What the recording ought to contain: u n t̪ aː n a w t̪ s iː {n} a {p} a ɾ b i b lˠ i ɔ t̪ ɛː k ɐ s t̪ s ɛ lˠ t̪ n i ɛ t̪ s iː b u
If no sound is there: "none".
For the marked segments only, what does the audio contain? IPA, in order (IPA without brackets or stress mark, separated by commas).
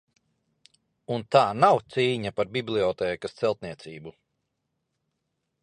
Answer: ɲ, p